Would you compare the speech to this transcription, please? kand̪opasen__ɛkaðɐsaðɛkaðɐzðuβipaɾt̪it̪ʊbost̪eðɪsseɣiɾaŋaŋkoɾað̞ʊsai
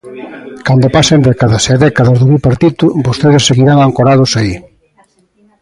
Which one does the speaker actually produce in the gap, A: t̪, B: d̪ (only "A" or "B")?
B